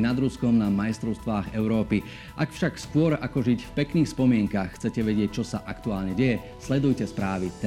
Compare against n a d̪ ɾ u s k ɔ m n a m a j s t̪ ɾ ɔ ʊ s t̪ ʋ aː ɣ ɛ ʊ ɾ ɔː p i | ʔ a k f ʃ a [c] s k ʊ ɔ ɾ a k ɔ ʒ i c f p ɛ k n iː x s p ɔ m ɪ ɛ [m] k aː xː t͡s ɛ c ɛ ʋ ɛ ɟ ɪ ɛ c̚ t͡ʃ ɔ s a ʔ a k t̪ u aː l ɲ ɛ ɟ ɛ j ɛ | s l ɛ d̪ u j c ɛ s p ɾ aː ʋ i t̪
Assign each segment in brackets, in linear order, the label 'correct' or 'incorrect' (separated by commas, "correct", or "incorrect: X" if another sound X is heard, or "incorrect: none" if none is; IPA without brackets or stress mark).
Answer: incorrect: k, incorrect: ŋ